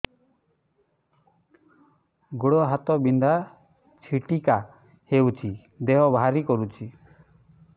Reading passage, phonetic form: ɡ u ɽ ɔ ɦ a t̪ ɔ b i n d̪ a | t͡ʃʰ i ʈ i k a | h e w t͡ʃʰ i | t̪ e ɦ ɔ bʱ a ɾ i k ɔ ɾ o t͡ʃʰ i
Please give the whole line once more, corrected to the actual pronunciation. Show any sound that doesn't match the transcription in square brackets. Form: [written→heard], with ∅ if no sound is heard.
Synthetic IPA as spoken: ɡ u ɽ ɔ ɦ a t̪ ɔ b i n d̪ a | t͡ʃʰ i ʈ i k a | h e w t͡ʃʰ i | [t̪→d̪] e ɦ ɔ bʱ a ɾ i k ɔ ɾ [o→u] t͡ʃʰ i